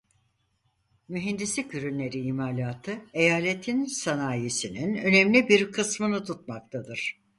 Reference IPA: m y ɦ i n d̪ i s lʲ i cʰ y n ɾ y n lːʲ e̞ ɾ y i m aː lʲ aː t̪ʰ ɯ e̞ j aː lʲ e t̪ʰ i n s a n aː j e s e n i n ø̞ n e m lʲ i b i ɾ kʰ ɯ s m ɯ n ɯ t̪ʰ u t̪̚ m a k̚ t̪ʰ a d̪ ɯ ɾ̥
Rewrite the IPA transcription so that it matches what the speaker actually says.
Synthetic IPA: m y ɦ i n d̪ i s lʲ i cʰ y ɾ y n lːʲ e̞ ɾ i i m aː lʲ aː t̪ʰ ɯ e̞ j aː lʲ e t̪ʰ i n s a n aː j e s i n i n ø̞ n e m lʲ i b i ɾ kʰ ɯ s m ɯ n ɯ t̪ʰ u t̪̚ m a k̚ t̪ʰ a d̪ ɯ ɾ̥